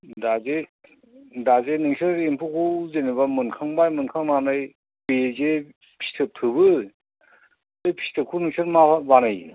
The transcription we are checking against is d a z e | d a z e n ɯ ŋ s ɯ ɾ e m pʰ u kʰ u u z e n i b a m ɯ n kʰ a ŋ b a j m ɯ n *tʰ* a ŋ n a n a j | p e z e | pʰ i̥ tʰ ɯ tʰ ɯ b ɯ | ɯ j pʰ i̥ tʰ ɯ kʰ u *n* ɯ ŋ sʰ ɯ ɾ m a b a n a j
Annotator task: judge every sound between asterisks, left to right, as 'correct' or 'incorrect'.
incorrect: kʰ, correct

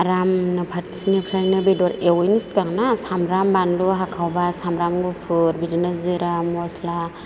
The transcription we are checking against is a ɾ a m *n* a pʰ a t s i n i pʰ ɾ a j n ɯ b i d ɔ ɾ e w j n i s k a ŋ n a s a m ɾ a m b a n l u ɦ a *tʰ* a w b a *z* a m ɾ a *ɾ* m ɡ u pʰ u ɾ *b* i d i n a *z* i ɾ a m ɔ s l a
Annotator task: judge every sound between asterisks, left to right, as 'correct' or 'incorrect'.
correct, incorrect: kʰ, incorrect: s, incorrect: none, correct, correct

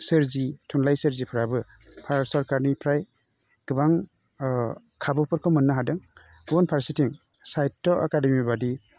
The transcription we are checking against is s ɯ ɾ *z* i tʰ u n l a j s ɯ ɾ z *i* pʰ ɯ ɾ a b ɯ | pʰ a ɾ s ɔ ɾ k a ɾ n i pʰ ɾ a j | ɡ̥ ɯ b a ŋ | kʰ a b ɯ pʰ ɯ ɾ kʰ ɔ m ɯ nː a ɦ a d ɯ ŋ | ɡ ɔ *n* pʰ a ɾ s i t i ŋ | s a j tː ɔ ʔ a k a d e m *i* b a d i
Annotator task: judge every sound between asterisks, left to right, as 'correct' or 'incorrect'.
correct, correct, correct, correct

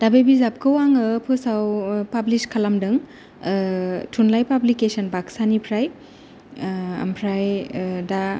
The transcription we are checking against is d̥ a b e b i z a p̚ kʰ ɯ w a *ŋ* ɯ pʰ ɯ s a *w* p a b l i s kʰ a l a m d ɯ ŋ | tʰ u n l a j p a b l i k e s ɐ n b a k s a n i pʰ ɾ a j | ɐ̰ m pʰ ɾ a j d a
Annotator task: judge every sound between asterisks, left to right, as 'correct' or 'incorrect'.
correct, correct

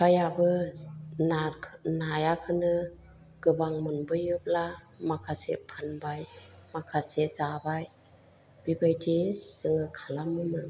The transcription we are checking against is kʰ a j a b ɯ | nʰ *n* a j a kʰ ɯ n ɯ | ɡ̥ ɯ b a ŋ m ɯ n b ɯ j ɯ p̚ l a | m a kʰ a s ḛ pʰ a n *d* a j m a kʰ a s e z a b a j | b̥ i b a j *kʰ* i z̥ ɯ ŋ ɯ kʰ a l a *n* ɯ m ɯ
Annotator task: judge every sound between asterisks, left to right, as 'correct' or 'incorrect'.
correct, incorrect: b, incorrect: tʰ, incorrect: m

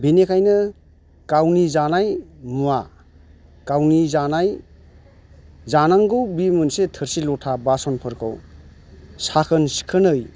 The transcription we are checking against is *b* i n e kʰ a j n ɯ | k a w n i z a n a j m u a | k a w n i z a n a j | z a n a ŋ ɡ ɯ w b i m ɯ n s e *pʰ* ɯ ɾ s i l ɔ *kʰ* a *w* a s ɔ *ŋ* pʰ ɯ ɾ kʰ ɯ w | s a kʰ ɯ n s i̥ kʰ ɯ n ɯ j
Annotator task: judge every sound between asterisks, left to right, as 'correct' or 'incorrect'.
correct, incorrect: tʰ, incorrect: tʰ, incorrect: b, incorrect: n

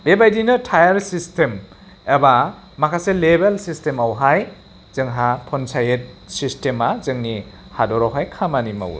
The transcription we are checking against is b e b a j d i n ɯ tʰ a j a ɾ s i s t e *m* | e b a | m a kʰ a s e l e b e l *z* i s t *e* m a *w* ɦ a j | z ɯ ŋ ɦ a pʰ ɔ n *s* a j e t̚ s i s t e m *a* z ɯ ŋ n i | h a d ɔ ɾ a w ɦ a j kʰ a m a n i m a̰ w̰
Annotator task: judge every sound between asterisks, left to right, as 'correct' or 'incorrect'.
correct, incorrect: s, correct, correct, correct, correct

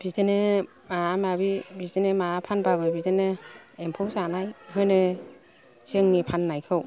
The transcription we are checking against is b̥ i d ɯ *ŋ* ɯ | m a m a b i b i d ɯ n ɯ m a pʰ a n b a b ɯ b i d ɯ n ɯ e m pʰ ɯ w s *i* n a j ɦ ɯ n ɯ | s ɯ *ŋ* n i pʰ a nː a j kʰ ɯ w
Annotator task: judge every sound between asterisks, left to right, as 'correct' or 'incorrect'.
incorrect: n, incorrect: a, correct

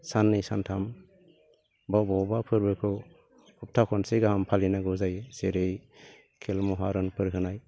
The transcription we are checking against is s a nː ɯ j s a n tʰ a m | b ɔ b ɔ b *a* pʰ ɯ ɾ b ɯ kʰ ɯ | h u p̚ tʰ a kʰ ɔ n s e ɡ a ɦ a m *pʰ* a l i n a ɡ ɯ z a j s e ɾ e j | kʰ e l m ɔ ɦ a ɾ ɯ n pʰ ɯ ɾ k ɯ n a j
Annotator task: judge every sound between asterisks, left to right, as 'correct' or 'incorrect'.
correct, correct

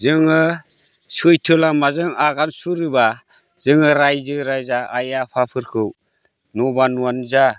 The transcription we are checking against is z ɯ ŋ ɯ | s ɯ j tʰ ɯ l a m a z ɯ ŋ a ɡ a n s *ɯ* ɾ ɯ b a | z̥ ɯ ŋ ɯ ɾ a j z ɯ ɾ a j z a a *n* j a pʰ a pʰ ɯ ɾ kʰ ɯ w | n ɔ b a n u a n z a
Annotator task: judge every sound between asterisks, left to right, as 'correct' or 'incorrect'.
incorrect: u, incorrect: none

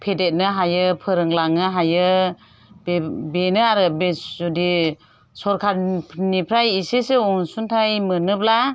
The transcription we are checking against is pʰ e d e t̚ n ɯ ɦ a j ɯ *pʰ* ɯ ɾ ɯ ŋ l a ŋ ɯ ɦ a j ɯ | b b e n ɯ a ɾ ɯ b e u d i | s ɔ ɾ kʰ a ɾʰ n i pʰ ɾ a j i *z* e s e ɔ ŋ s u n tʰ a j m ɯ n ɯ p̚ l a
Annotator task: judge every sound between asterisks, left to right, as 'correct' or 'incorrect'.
correct, incorrect: s

